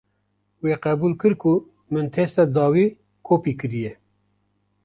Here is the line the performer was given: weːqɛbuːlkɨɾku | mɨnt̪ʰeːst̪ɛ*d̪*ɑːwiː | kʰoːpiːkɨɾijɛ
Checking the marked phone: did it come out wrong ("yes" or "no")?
no